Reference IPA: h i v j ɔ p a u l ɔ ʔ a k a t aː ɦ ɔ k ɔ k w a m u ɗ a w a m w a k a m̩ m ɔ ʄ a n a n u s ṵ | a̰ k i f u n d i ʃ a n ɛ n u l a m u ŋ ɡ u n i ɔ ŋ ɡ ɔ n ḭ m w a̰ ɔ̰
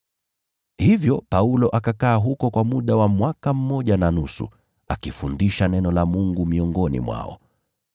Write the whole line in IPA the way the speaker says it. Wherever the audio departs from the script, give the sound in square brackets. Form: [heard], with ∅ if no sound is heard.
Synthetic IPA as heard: h i v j ɔ p a u l ɔ ʔ a k a [k] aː ɦ [u] k ɔ k w a m u ɗ a w a m w a k a m̩ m ɔ ʄ a n a n u s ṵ | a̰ k i f u n d i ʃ a n ɛ n [ɔ] l a m u ŋ ɡ u [m] i ɔ ŋ ɡ ɔ n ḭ m w a̰ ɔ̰